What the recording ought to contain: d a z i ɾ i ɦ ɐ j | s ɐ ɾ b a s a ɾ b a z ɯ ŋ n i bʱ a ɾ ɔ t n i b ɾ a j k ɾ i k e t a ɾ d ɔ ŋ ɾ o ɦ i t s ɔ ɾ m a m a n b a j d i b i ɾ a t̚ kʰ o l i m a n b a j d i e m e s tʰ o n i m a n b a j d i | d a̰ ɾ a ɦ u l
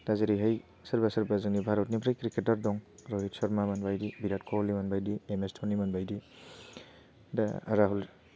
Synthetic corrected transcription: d a z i ɾ i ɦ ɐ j | s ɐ ɾ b a s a ɾ b a z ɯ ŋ n i bʱ a ɾ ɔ t n i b ɾ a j k ɾ i k e t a ɾ d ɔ ŋ ɾ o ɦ i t s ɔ ɾ m a m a n b a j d i b i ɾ a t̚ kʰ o l i m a n b a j d i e m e s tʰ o n i m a n b a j d i | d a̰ ɾ a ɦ u l